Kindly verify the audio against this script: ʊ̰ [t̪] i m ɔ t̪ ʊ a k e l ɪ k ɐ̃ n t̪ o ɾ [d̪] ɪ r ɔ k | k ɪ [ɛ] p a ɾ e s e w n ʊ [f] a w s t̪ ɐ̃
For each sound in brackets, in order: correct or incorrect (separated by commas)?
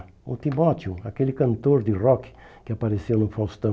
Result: correct, correct, incorrect, correct